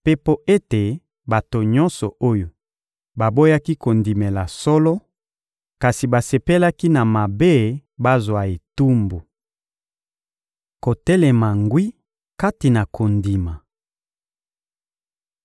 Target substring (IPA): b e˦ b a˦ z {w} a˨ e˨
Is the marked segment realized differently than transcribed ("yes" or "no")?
no